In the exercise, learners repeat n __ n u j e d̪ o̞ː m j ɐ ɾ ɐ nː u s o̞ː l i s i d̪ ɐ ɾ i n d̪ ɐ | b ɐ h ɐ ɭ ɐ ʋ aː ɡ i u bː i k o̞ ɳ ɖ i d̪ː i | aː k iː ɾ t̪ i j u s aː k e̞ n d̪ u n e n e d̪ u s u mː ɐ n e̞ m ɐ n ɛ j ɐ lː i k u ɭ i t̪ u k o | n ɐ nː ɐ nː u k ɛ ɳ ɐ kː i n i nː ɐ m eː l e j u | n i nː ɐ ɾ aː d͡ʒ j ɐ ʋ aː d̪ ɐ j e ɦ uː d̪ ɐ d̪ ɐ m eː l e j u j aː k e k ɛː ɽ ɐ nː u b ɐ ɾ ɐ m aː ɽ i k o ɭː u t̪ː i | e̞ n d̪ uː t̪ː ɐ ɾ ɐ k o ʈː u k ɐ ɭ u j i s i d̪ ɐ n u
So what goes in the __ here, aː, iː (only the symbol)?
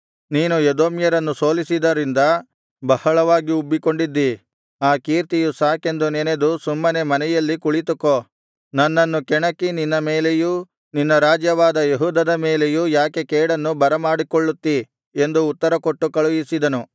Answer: iː